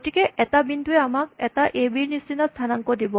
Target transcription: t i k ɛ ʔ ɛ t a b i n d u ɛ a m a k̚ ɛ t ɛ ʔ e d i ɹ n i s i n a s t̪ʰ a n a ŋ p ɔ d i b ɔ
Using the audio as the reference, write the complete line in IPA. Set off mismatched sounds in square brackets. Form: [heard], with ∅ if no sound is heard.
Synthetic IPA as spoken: t i k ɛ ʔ ɛ t a b i n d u ɛ a m a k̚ ɛ t [a] ʔ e [b] i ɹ n i s i n a s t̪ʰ a n a ŋ [k] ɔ d i b ɔ